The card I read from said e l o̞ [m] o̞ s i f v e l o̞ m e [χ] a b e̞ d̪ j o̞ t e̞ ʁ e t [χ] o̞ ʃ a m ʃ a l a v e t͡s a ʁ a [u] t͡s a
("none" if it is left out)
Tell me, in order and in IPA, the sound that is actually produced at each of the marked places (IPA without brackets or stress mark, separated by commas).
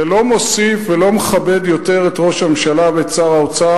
m, χ, ʁ, o